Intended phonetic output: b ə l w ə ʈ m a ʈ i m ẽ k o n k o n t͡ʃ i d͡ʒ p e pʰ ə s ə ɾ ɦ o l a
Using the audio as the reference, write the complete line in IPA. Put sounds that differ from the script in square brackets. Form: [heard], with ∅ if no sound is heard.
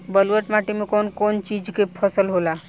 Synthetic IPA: b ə l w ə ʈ m a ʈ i m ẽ k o n k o n t͡ʃ i d͡ʒ [k] e pʰ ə s ə [l] ɦ o l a